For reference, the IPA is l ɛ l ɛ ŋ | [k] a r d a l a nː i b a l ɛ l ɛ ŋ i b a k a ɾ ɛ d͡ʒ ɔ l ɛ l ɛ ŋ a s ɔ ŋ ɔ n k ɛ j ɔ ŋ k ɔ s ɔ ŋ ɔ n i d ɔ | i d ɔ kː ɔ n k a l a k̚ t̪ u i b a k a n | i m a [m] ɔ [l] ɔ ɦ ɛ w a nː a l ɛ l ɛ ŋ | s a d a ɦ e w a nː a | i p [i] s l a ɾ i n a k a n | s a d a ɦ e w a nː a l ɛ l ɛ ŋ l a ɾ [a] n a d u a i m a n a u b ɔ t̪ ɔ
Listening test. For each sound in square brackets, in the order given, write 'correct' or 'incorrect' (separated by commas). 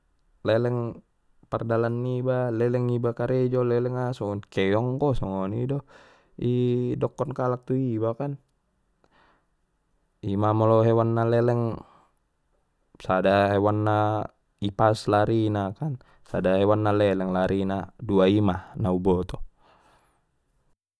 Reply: incorrect, correct, correct, incorrect, incorrect